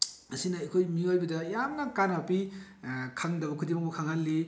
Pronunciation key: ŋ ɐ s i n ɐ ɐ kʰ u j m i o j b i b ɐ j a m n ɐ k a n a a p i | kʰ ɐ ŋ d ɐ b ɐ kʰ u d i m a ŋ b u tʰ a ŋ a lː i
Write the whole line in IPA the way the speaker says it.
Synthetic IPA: m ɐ s i n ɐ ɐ kʰ o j m i o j b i d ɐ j a m n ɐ k a n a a p i | kʰ a ŋ d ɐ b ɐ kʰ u d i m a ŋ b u kʰ a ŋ a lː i